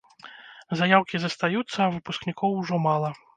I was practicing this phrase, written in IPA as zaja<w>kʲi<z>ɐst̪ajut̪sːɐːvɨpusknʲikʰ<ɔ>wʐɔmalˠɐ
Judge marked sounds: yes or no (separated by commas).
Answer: yes, yes, yes